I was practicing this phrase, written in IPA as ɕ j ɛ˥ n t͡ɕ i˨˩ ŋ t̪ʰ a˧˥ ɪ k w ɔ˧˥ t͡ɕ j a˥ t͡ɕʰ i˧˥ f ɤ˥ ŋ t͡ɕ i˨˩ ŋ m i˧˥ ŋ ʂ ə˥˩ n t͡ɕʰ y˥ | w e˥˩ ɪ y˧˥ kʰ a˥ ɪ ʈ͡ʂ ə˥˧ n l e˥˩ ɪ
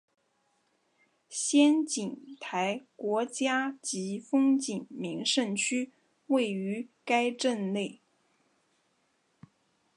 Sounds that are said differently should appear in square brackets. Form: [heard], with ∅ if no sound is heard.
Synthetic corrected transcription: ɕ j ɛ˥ n t͡ɕ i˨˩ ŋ t̪ʰ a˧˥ ɪ k w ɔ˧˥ t͡ɕ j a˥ [t͡ɕ] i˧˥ f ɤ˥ ŋ t͡ɕ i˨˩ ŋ m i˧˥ ŋ ʂ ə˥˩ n t͡ɕʰ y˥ | w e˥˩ ɪ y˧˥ [k] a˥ ɪ ʈ͡ʂ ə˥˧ n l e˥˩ ɪ